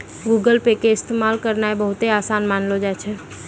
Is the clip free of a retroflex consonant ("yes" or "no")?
yes